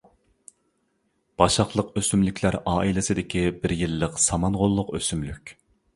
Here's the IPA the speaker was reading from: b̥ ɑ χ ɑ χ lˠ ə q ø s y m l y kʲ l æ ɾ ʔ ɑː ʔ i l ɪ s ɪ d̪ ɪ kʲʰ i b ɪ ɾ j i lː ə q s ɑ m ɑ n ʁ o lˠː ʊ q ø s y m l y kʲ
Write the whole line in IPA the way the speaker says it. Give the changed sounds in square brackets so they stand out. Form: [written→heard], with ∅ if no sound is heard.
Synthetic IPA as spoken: b̥ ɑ [χ→ʃ] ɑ χ lˠ ə q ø s y m l y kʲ l æ ɾ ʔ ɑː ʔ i l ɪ s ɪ d̪ ɪ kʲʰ i b ɪ ɾ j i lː ə q s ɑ m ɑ n ʁ o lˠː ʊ q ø s y m l y kʲ